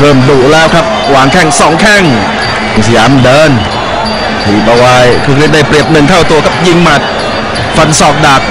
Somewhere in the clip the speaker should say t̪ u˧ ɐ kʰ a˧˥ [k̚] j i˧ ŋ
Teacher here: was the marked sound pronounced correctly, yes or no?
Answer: no